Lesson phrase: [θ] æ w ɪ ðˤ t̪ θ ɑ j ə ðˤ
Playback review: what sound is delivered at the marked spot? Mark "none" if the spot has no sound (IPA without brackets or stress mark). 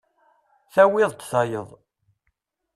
θ